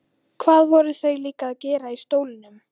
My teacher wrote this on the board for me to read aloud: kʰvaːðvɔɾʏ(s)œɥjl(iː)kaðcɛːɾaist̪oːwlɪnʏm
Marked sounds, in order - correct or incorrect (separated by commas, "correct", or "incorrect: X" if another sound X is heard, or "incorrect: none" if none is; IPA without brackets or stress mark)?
incorrect: θ, correct